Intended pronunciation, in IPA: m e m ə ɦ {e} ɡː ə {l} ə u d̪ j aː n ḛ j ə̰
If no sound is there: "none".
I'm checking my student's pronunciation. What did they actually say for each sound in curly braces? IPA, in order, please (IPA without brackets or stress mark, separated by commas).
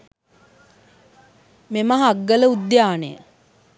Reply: a, l